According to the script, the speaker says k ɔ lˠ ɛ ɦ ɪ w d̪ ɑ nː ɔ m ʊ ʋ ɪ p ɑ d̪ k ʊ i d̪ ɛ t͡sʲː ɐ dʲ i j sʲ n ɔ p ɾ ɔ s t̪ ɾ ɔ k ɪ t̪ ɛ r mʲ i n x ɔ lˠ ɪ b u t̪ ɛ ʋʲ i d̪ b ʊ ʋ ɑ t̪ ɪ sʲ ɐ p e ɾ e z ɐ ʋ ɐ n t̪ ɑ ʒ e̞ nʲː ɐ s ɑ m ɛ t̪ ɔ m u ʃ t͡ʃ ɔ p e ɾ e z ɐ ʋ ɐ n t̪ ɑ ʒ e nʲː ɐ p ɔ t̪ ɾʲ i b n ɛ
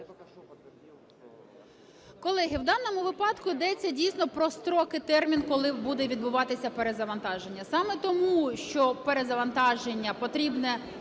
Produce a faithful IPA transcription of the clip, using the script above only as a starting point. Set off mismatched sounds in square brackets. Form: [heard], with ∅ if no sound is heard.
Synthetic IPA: k ɔ lˠ ɛ ɦ ɪ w d̪ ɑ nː ɔ m ʊ ʋ ɪ p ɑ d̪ k ʊ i d̪ ɛ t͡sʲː ɐ dʲ i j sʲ n ɔ p ɾ ɔ s t̪ ɾ ɔ k ɪ t̪ ɛ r mʲ i n [k] ɔ lˠ ɪ b u [d̪] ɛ ʋʲ i d̪ b ʊ ʋ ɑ t̪ ɪ sʲ ɐ p e ɾ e z ɐ ʋ ɐ n t̪ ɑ ʒ e̞ nʲː ɐ s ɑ m ɛ t̪ ɔ m u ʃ t͡ʃ ɔ p e ɾ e z ɐ ʋ ɐ n t̪ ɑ ʒ e nʲː ɐ p ɔ t̪ ɾʲ i b n ɛ